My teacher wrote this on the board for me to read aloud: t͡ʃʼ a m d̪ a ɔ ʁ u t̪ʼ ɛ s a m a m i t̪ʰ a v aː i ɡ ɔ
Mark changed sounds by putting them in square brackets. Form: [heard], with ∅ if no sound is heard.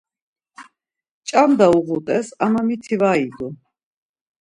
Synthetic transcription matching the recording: t͡ʃʼ a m d̪ a [u] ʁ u t̪ʼ ɛ s a m a m i t̪ʰ [i] v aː i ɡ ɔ